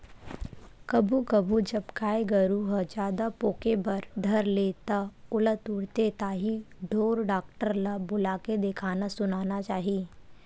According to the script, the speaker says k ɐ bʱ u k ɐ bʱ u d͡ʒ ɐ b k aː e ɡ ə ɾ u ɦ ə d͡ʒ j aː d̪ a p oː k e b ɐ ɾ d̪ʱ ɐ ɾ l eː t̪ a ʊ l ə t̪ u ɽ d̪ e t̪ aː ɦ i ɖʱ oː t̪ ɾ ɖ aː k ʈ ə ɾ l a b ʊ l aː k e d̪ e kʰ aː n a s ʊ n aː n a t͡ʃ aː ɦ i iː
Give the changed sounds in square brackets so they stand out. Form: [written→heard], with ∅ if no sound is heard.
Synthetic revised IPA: k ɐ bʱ u k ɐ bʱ u d͡ʒ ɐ b k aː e ɡ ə ɾ u ɦ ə d͡ʒ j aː d̪ a p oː k e b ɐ ɾ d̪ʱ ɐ ɾ l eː t̪ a ʊ l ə t̪ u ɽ [d̪→t̪] e t̪ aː ɦ i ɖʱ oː [t̪→∅] ɾ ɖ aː k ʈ ə ɾ l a b ʊ l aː k e d̪ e kʰ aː n a s ʊ n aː n a t͡ʃ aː ɦ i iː

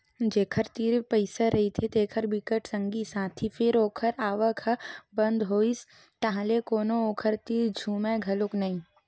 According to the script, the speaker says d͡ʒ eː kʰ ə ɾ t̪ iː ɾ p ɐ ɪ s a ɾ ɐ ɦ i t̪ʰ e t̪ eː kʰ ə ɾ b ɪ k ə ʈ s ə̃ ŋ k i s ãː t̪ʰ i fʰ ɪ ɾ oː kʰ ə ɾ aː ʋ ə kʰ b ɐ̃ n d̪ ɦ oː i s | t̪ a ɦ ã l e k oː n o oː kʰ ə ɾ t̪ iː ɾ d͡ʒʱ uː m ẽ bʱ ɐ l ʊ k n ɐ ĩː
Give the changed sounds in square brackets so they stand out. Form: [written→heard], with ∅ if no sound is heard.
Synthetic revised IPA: d͡ʒ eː kʰ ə ɾ t̪ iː ɾ p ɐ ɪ s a ɾ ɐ ɦ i t̪ʰ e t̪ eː kʰ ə ɾ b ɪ k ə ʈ s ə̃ ŋ [k→ɡ] i s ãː t̪ʰ i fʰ ɪ ɾ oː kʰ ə ɾ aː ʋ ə kʰ b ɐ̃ n d̪ ɦ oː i s | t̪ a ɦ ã l e k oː n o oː kʰ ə ɾ t̪ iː ɾ d͡ʒʱ uː m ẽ [bʱ→ɡʱ] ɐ l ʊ k n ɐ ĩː

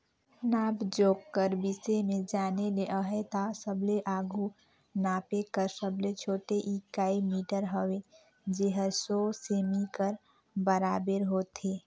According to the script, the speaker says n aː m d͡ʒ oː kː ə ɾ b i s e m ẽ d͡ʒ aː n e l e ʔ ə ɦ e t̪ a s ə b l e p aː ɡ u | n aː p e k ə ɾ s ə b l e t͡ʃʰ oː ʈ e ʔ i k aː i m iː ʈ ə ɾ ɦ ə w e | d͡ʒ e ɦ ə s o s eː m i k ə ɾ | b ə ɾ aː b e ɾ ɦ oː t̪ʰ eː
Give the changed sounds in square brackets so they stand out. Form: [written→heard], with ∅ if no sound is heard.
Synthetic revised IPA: n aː [m→b] d͡ʒ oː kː ə ɾ b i s e m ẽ d͡ʒ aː n e l e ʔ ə ɦ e t̪ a s ə b l e [p→ʔ] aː ɡ u | n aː p e k ə ɾ s ə b l e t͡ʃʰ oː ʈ e ʔ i k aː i m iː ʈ ə ɾ ɦ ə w e | d͡ʒ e ɦ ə s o s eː m i k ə ɾ | b ə ɾ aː b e ɾ ɦ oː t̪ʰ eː

